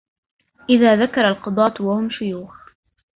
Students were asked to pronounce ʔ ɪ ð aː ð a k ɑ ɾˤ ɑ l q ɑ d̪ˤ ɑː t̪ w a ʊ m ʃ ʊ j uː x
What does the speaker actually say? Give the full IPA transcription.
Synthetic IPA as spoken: ʔ ɪ ð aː ð a k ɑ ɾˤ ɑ l q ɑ d̪ˤ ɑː t̪ w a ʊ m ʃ ʊ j uː x